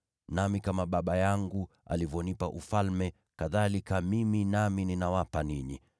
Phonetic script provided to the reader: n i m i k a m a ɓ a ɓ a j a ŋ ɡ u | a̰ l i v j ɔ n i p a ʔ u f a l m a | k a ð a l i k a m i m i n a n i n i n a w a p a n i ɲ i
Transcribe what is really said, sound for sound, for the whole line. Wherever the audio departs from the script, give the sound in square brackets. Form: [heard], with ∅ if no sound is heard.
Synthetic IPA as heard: n [a] m i k a m a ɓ a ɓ a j a ŋ ɡ u | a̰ l i v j ɔ n i p a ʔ u f a l m [ɛ] | k a ð a l i k a m i m i n a [m] i n i n a w a p a n i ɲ i